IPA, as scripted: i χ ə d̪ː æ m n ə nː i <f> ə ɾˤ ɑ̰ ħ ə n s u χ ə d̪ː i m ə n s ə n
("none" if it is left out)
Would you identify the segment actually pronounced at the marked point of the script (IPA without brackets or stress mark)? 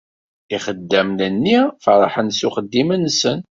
f